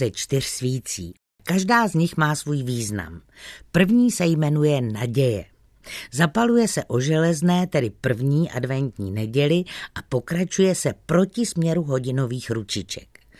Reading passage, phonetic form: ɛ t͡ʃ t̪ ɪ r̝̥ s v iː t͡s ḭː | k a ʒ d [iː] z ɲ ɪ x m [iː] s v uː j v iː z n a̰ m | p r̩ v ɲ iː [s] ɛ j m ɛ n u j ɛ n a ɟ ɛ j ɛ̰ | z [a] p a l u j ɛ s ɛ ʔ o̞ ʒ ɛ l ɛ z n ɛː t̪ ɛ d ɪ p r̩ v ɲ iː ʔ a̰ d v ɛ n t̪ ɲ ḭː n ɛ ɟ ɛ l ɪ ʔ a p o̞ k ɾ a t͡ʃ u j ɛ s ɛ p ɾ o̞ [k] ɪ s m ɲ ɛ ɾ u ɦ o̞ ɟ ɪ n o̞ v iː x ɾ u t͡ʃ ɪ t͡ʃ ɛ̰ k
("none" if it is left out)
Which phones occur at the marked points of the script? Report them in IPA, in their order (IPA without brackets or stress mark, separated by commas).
aː, aː, s, a, c